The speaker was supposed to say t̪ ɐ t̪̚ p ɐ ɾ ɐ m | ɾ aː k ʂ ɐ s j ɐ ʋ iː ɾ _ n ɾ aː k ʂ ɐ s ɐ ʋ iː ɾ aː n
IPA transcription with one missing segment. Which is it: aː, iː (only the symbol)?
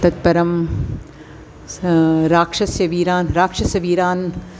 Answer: aː